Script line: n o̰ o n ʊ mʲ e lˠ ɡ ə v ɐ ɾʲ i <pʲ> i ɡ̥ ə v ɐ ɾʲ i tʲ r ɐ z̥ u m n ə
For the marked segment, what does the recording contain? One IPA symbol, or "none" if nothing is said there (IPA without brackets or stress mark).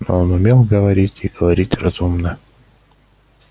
tʲ